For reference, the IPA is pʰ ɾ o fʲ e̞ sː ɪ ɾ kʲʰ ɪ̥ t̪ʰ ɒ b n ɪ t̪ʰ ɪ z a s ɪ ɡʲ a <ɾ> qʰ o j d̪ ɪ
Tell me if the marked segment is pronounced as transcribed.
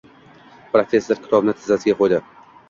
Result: no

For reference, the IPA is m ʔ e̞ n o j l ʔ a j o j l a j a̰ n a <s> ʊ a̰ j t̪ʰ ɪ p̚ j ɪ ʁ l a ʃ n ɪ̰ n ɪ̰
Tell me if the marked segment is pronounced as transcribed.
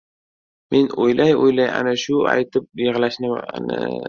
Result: no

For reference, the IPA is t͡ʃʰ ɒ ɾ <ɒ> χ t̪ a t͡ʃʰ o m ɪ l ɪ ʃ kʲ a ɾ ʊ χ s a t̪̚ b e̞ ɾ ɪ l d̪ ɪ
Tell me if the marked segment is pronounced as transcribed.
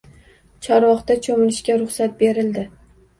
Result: yes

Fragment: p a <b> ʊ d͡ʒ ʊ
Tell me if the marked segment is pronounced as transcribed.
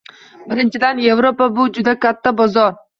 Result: yes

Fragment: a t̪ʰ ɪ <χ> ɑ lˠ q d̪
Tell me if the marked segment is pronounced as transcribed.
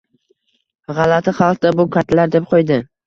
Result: yes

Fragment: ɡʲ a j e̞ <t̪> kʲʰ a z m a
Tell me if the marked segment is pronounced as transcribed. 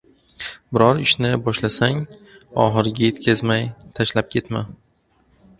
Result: yes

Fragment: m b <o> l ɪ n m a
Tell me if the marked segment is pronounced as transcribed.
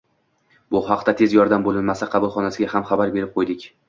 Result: yes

